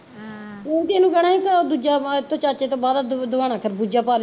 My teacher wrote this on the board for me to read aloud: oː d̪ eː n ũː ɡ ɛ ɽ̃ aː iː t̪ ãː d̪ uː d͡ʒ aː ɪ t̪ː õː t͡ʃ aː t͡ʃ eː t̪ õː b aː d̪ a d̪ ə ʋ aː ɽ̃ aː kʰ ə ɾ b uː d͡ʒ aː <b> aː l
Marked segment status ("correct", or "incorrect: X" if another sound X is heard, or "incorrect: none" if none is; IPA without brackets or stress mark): incorrect: p